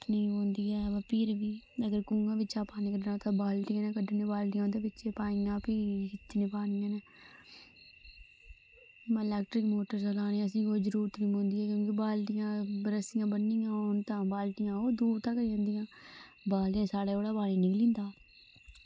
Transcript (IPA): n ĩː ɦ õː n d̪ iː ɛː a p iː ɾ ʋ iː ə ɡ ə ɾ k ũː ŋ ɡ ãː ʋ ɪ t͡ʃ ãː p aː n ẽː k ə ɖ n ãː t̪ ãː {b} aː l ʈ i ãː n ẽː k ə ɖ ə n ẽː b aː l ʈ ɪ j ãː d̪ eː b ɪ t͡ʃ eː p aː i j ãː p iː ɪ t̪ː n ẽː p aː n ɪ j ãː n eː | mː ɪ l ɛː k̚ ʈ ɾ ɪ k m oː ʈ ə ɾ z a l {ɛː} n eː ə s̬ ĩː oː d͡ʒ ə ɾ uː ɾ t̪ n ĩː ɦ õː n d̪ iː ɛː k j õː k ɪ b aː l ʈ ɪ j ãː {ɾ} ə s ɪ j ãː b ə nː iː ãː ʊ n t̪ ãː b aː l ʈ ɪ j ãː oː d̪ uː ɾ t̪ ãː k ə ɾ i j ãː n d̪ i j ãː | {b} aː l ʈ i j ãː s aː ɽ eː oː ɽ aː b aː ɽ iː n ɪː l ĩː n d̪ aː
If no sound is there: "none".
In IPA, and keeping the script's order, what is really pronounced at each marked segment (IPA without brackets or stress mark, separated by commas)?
b, aː, ɾ, b